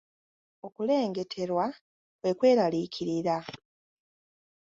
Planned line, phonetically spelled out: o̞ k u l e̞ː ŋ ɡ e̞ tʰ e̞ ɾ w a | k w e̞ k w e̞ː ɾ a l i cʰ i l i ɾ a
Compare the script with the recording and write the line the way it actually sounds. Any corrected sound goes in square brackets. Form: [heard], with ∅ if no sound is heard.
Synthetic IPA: o̞ k u l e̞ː ŋ ɡ e̞ tʰ e̞ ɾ w a | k w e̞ k w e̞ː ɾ a l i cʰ i [ɾ] i ɾ a